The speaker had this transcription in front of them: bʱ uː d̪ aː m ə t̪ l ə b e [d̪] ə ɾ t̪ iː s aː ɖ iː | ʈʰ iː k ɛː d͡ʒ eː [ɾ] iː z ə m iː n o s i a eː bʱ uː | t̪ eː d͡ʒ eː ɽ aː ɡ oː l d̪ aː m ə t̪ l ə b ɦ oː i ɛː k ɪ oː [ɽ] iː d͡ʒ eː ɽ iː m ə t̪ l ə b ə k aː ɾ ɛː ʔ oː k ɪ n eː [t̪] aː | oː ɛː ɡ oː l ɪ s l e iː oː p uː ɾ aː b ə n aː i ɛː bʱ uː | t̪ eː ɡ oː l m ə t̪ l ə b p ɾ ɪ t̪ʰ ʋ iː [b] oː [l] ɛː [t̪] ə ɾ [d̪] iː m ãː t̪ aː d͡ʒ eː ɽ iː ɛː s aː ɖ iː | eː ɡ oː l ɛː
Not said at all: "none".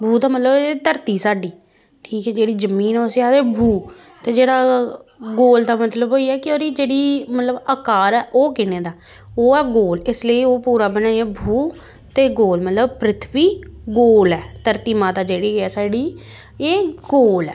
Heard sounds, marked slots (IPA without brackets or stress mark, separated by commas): t̪, ɽ, ɾ, d̪, ɡ, l, t̪, t̪